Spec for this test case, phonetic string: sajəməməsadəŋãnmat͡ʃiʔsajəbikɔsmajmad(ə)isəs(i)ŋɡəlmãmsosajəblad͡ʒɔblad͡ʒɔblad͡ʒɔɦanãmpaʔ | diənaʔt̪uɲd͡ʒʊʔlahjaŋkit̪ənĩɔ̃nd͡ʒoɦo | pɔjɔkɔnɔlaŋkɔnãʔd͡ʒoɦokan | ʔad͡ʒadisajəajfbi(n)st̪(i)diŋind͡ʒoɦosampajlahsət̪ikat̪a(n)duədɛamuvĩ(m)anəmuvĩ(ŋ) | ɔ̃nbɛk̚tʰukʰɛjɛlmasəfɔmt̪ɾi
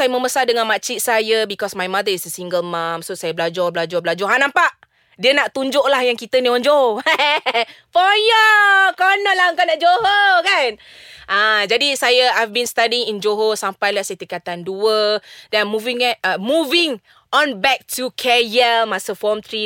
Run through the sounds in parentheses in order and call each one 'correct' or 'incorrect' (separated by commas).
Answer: correct, correct, correct, incorrect, correct, incorrect, correct